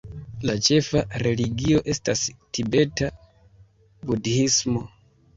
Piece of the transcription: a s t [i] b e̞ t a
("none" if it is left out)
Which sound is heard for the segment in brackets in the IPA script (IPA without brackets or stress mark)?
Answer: i